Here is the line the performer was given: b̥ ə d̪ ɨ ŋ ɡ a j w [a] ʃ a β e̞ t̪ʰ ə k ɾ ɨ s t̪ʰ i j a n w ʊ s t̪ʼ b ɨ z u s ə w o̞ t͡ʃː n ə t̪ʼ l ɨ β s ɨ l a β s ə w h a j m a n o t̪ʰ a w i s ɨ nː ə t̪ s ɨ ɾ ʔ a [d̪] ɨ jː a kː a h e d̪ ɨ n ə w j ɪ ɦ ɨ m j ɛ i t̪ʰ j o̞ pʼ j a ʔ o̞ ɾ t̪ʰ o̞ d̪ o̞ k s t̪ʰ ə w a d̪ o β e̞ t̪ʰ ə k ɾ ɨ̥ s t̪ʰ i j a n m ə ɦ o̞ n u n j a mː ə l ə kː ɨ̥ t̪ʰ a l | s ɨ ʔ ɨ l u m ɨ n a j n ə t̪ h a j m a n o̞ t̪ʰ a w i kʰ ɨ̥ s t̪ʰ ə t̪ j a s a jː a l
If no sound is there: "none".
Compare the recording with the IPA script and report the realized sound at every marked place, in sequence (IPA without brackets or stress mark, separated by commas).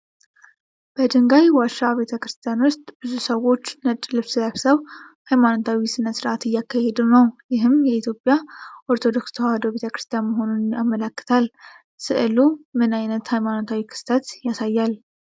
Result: a, t̪